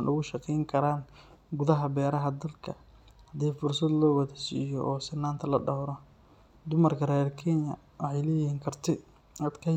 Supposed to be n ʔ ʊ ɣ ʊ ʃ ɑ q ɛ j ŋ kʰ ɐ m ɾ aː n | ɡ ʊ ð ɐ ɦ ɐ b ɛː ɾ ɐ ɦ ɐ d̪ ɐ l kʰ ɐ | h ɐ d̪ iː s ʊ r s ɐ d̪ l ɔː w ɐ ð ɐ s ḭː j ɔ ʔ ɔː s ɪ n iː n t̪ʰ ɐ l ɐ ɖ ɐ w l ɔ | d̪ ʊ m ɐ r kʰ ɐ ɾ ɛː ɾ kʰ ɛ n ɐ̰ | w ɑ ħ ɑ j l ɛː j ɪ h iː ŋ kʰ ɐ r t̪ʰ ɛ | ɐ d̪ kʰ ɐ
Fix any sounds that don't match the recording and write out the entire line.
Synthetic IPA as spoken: n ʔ ʊ ɣ ʊ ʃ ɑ q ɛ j ŋ kʰ ɐ ɾ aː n | ɡ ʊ ð ɐ ɦ ɐ b ɛː ɾ ɐ ɦ ɐ d̪ ɐ l kʰ ɐ | h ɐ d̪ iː f ʊ r s ɐ d̪ l ɔː w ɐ ð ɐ s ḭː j ɔ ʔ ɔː s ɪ n aː n t̪ʰ ɐ l ɐ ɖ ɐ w ɾ ɔ | d̪ ʊ m ɐ r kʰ ɐ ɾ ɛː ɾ kʰ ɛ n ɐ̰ | w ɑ ħ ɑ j l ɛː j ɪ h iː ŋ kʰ ɐ r t̪ʰ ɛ | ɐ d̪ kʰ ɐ

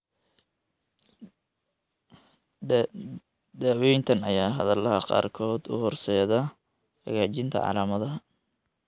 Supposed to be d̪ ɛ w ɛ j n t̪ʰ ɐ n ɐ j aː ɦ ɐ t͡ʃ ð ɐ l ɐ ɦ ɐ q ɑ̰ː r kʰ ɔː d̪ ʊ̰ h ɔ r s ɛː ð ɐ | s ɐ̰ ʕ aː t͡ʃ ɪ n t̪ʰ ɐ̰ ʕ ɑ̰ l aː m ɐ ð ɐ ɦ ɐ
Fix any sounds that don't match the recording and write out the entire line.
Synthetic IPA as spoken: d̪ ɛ w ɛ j n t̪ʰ ɐ n ɐ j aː ɦ ɐ ð ɐ l ɐ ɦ ɐ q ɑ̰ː r kʰ ɔː d̪ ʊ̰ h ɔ r s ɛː ð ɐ | h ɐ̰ ɣ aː t͡ʃ ɪ n t̪ʰ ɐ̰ ʕ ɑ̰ l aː m ɐ ð ɐ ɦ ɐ

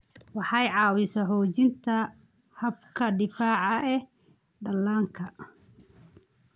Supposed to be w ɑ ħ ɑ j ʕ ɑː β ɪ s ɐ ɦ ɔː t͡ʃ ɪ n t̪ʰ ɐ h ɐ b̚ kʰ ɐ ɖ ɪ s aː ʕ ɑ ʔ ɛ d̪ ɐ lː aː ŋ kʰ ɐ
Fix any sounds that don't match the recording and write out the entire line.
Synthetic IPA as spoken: w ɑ ħ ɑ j ʕ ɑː w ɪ s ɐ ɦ ɔː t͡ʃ ɪ n t̪ʰ ɐ h ɐ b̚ kʰ ɐ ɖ ɪ f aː ʕ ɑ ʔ ɛ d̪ ɐ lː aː ŋ kʰ ɐ

